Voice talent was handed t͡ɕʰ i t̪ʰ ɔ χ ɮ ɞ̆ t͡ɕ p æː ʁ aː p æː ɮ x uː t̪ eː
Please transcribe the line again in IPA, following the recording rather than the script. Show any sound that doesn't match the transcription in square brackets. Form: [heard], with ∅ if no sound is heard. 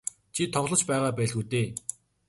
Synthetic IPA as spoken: t͡ɕʰ i t̪ʰ ɔ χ ɮ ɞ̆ t͡ɕ p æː ʁ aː p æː ɮ [ɣ] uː t̪ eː

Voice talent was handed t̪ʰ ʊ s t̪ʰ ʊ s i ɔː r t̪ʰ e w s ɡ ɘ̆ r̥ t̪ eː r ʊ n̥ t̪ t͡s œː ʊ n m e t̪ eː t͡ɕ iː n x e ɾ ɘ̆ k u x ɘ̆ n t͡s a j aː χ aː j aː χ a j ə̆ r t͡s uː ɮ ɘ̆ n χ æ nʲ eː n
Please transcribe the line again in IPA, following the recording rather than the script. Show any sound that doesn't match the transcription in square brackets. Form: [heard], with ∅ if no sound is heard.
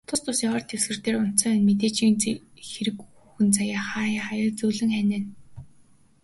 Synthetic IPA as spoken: t̪ʰ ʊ s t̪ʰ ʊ s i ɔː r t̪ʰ e w s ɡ ɘ̆ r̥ t̪ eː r ʊ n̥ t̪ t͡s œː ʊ n m e t̪ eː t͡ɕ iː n x e ɾ ɘ̆ k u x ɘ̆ n t͡s a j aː χ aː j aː χ a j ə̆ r t͡s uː ɮ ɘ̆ [ŋ] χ æ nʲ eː n

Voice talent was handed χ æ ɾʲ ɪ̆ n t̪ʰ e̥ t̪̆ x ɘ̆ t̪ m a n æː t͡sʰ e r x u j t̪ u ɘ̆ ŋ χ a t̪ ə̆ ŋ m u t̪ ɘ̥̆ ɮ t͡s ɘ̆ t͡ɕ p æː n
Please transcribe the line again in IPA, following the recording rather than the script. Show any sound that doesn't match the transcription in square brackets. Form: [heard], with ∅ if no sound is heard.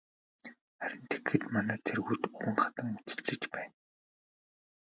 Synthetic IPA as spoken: χ æ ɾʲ ɪ̆ n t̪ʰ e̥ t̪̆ x ɘ̆ t̪ m a n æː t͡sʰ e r [ɣ] u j t̪ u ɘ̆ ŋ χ a t̪ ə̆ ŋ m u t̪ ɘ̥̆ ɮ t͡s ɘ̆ t͡ɕ p æː n

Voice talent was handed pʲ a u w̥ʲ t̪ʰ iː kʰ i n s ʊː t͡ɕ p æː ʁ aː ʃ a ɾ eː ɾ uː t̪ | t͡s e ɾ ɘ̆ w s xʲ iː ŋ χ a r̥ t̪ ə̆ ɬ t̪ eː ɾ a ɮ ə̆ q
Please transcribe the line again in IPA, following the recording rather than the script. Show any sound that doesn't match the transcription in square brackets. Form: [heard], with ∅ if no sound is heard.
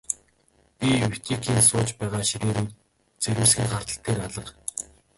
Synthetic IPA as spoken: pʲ [i] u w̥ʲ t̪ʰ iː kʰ [iː] n s ʊː t͡ɕ p æː ʁ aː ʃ [i] ɾ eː ɾ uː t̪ | t͡s e ɾ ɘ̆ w s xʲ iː ŋ χ a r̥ t̪ ə̆ ɬ t̪ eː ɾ a ɮ ə̆ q

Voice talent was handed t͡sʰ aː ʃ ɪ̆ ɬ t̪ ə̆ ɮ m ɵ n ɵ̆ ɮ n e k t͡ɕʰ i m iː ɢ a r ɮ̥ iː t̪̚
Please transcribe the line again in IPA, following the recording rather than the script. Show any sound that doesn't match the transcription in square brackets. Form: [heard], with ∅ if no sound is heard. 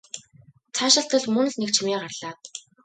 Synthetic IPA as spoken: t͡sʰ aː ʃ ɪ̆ ɬ t̪ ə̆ ɮ m ɵ n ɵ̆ ɮ n e k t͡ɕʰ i m iː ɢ a r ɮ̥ [aː] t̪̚

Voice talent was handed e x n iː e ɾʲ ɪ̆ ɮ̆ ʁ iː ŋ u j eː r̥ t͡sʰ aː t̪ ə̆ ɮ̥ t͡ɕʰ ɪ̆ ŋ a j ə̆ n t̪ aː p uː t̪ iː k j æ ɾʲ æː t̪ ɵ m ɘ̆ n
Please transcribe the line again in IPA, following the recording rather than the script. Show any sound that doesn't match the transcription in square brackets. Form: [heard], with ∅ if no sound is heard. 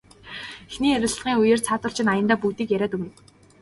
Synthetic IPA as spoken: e x n iː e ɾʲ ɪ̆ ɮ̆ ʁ iː ŋ u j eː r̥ t͡sʰ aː t̪ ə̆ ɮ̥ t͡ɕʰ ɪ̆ [n] a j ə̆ n t̪ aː p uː t̪ iː k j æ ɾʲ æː t̪ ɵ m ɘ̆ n

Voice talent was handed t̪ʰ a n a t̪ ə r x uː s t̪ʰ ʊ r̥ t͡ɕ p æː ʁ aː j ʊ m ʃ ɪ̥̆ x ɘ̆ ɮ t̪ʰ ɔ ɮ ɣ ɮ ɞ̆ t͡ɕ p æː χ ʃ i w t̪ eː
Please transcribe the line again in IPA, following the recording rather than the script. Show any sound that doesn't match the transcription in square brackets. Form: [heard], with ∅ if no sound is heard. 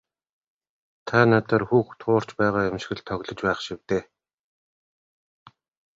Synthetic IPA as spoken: t̪ʰ a n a t̪ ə r x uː [x] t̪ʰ [ʊː] r̥ t͡ɕ p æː ʁ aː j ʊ m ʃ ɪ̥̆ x ɘ̆ ɮ t̪ʰ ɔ [∅] ɣ ɮ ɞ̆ t͡ɕ p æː χ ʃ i w t̪ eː

